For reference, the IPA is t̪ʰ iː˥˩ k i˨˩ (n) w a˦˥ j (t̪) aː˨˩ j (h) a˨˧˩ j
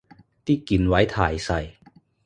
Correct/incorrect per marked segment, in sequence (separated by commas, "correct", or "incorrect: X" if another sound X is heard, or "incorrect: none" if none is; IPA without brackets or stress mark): correct, incorrect: t̪ʰ, incorrect: s